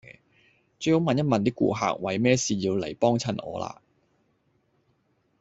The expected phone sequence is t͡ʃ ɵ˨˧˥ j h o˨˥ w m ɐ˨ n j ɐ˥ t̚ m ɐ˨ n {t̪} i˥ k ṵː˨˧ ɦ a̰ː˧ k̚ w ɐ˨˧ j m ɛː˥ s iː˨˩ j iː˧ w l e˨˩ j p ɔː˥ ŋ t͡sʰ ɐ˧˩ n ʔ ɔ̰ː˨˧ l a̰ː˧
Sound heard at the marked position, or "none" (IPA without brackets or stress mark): t̪